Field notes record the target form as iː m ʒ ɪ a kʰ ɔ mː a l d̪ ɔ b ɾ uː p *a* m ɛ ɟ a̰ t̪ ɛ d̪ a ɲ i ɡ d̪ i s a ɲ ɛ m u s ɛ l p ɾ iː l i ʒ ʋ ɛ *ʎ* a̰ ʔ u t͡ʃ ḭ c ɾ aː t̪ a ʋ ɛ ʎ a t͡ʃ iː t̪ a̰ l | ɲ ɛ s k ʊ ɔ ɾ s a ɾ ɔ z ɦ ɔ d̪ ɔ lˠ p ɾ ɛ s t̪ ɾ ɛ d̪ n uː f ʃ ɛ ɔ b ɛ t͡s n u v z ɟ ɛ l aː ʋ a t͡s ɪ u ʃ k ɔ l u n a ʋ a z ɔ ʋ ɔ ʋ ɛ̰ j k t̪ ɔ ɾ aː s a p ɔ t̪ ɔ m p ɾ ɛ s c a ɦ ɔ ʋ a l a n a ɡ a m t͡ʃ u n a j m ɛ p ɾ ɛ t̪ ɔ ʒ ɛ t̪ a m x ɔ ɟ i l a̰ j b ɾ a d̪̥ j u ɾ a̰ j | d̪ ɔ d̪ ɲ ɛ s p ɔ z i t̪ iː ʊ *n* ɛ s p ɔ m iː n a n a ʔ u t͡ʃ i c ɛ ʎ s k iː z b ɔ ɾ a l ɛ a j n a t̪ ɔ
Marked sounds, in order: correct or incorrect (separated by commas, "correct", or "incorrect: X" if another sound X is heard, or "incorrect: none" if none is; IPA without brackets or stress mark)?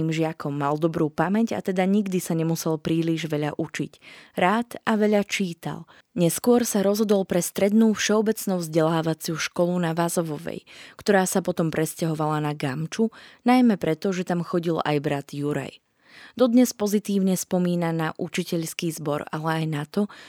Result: correct, correct, incorrect: ɲ